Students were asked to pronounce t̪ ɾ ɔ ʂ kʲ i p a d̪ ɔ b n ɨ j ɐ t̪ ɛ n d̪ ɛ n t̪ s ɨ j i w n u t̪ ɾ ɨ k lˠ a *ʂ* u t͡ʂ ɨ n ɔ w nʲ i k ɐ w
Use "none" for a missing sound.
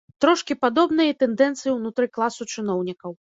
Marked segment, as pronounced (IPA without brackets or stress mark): s